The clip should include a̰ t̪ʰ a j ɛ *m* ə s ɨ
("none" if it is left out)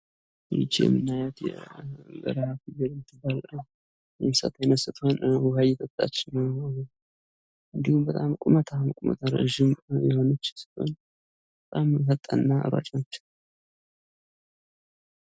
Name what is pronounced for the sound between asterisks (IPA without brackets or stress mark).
n